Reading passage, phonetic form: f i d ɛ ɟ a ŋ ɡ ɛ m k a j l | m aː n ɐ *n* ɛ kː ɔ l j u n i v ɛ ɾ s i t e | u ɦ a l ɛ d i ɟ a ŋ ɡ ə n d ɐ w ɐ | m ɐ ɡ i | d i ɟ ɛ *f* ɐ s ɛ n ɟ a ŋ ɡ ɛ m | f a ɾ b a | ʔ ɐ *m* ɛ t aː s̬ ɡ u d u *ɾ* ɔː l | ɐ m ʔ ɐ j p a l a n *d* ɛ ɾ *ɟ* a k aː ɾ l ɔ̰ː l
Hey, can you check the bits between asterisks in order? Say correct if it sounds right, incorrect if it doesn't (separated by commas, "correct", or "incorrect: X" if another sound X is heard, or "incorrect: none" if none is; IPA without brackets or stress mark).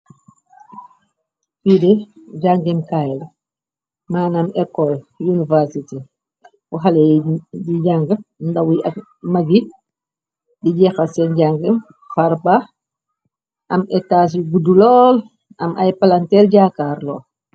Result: incorrect: m, incorrect: x, correct, incorrect: l, incorrect: t, correct